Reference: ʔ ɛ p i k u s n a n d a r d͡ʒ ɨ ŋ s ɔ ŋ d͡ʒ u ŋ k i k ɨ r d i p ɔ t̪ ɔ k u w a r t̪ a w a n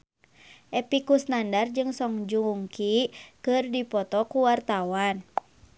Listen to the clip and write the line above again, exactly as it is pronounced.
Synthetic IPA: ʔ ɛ p i k u s n a n d a r d͡ʒ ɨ ŋ s ɔ ŋ d͡ʒ u ŋ k i k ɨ r d i p ɔ t̪ ɔ k u w a r t̪ a w a n